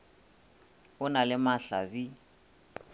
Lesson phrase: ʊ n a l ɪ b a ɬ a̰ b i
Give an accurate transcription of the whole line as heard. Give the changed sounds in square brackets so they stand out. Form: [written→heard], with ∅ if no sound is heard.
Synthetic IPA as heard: ʊ n a l ɪ [b→m] a ɬ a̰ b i